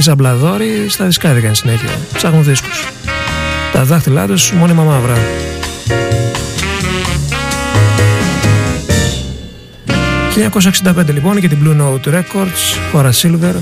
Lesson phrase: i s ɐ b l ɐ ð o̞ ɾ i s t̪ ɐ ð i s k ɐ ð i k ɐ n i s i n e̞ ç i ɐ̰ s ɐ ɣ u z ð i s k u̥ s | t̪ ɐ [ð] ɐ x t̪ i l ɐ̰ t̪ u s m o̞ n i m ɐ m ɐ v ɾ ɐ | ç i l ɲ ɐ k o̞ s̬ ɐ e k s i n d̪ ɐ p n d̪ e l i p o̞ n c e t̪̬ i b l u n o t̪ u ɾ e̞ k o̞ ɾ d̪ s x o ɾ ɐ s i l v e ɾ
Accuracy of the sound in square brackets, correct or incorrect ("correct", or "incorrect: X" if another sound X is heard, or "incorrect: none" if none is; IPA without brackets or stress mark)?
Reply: correct